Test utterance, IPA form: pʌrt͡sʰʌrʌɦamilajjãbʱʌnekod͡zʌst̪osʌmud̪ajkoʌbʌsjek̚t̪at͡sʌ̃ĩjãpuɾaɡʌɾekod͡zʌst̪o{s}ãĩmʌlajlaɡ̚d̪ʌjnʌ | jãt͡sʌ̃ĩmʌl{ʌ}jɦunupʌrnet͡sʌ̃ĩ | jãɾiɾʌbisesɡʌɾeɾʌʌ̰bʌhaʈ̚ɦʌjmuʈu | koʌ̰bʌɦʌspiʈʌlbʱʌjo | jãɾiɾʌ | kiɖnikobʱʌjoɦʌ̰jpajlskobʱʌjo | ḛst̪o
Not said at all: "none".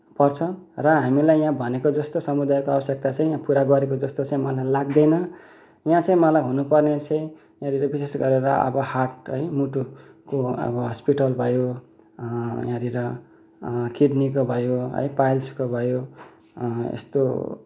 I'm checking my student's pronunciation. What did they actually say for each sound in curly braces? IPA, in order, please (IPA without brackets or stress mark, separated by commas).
t͡s, a